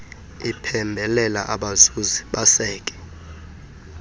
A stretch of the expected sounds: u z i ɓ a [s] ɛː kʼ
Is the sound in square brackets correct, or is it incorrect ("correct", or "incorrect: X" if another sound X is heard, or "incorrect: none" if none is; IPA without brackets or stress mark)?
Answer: correct